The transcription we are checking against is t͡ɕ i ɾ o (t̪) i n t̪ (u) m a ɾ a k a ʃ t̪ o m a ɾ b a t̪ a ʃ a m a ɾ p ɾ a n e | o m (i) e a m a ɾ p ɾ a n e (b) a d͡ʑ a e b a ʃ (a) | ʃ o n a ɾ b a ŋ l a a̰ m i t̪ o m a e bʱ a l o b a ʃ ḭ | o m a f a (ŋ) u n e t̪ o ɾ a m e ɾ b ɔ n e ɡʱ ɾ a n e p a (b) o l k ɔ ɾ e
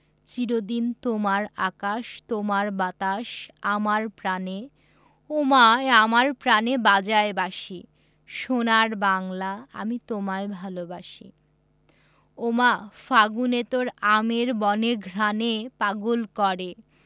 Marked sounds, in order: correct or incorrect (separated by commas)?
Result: incorrect, incorrect, incorrect, correct, incorrect, incorrect, incorrect